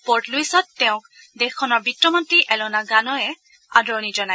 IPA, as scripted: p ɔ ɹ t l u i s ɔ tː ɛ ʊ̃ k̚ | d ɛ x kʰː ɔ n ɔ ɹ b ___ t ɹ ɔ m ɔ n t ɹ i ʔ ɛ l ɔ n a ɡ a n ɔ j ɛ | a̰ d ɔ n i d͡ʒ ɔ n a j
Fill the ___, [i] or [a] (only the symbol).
i